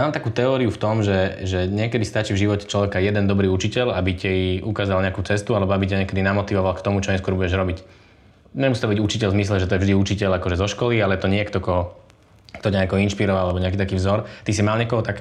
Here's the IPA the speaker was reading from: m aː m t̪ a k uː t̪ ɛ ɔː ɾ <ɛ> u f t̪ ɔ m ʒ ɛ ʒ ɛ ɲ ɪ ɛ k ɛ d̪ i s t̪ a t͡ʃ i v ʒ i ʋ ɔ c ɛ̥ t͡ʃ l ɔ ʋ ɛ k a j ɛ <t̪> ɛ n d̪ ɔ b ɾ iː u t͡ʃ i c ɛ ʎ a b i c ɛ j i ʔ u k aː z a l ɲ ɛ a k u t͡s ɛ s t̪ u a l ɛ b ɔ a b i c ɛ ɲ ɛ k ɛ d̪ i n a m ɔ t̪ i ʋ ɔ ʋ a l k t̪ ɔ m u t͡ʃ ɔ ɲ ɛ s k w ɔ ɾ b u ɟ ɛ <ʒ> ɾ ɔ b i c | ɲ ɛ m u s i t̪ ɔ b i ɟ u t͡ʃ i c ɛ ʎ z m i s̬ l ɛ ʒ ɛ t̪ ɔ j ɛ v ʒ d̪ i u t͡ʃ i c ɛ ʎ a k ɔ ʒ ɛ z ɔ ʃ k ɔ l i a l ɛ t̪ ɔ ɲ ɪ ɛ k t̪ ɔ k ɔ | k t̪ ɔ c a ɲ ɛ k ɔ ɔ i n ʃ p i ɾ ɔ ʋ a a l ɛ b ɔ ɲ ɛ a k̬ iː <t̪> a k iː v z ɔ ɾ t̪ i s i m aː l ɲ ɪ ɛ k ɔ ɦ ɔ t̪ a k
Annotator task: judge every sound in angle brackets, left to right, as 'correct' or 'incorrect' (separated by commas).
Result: incorrect, incorrect, correct, correct